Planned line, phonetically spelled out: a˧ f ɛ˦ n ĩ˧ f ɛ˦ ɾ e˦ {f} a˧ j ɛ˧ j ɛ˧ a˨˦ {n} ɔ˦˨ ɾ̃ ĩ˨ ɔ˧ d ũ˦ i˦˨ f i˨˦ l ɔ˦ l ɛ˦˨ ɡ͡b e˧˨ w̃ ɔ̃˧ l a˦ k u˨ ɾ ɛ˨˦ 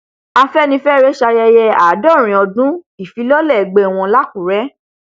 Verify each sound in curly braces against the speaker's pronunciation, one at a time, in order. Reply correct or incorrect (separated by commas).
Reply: incorrect, incorrect